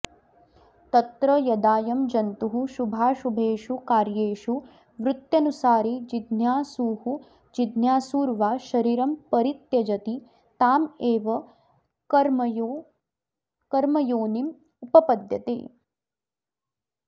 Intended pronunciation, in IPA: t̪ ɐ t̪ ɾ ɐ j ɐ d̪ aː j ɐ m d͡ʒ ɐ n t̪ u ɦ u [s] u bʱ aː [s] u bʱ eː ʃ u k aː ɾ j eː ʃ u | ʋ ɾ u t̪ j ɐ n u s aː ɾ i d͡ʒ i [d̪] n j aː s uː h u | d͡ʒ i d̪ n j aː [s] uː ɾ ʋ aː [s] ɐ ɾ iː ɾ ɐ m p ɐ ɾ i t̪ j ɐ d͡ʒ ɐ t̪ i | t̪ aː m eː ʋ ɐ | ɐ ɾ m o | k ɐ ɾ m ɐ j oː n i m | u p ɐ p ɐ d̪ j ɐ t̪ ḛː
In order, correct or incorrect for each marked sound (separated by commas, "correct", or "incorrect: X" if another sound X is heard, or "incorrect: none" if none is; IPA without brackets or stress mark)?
incorrect: ʃ, incorrect: ʃ, correct, correct, incorrect: ʃ